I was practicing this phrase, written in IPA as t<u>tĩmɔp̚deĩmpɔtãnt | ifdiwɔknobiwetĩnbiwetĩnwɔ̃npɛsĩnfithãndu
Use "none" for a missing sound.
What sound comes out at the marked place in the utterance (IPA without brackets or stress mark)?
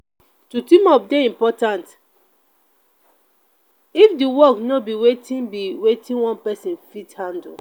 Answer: u